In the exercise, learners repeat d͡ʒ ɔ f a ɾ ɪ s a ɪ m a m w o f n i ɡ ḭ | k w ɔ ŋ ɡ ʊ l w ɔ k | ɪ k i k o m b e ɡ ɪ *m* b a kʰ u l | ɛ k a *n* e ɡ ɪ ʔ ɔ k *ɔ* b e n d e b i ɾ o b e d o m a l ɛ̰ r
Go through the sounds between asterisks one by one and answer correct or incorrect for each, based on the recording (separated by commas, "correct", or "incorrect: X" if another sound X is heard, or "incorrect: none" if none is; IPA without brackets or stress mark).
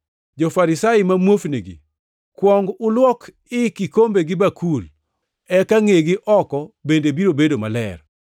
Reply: incorrect: none, incorrect: ŋ, correct